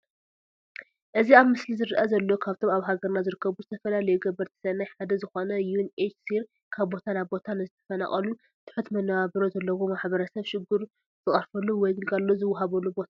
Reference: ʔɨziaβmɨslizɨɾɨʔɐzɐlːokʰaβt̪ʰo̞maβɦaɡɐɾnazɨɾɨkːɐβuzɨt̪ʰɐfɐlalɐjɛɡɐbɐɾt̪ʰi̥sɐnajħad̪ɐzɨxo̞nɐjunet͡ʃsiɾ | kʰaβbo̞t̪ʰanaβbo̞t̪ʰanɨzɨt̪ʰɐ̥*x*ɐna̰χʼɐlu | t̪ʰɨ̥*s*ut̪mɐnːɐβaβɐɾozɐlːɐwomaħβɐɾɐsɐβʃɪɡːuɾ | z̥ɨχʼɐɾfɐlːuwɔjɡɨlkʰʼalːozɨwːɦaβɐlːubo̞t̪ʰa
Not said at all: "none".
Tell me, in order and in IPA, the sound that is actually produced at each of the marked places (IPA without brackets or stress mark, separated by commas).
f, ħ